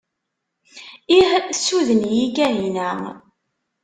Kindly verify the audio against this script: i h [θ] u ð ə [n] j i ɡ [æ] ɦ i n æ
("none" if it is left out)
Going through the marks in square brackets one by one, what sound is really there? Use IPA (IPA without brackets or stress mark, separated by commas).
s, n, æ